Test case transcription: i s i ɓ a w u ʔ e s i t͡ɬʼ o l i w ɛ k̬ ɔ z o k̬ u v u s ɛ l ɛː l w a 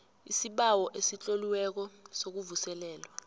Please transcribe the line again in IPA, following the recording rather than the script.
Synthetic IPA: i s i ɓ a w ɔ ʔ e s i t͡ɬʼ o l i w ɛ k̬ ɔ s o k̬ u v u s ɛ l ɛː l w a